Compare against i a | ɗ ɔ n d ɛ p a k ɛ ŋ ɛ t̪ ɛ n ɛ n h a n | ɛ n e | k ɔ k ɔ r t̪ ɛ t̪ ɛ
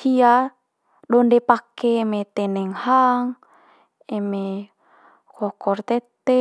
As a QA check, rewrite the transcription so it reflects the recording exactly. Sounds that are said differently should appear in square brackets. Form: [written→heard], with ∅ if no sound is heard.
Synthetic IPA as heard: i a | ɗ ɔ n d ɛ p a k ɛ [ŋ→m] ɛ t̪ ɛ n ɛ [n→ŋ] h a [n→ŋ] | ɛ [n→m] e | k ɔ k ɔ r t̪ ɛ t̪ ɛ